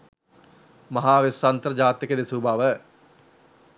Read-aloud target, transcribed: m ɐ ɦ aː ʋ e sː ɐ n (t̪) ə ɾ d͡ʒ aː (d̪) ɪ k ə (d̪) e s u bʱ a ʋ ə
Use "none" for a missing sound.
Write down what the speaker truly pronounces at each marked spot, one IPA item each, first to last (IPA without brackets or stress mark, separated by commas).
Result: t̪, t̪, d̪